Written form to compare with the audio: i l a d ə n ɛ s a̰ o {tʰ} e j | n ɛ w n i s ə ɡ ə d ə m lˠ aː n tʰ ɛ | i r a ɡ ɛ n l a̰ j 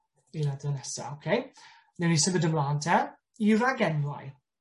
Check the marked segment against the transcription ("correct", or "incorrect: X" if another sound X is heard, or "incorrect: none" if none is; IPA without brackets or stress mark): incorrect: kʰ